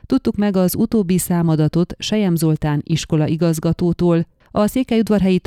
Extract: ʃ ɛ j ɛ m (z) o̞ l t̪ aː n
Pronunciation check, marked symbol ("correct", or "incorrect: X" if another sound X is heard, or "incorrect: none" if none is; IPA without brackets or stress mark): correct